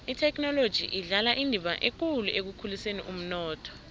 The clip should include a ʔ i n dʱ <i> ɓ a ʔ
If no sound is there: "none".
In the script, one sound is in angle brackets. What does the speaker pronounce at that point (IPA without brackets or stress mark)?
i